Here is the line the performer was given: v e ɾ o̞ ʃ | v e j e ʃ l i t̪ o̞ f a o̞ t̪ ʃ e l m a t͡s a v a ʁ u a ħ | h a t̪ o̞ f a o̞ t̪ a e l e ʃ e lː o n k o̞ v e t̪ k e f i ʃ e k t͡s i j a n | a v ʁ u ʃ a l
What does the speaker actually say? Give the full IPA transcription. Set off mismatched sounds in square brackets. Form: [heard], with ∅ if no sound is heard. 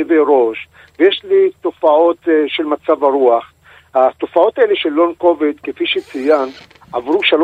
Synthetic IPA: v e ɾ o̞ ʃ | v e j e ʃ l i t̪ o̞ f a o̞ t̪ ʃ e l m a t͡s a v a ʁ u a [χ] | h a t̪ o̞ f a o̞ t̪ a e l e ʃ e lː o n k o̞ v e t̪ k e f i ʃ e [∅] t͡s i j a n | a v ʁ u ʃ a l